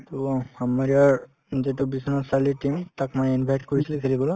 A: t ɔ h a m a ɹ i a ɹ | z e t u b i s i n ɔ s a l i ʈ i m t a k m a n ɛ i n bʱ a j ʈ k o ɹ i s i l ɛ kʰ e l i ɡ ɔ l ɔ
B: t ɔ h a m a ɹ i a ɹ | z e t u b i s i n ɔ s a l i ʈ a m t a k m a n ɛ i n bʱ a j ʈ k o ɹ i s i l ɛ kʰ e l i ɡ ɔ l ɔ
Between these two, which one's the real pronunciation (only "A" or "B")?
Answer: A